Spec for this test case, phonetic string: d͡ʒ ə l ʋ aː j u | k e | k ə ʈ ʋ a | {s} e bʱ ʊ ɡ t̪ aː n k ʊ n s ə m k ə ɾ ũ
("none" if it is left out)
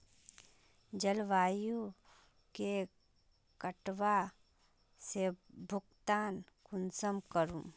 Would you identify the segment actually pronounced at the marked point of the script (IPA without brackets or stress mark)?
s